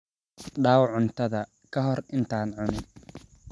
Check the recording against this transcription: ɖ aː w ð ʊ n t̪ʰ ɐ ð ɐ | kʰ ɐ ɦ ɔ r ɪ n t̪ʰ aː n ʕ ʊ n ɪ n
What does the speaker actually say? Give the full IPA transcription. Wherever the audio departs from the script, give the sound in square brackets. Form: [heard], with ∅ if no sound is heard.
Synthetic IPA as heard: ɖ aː w [ʕ] ʊ n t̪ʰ ɐ ð ɐ | kʰ ɐ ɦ ɔ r ɪ n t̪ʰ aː n ʕ ʊ n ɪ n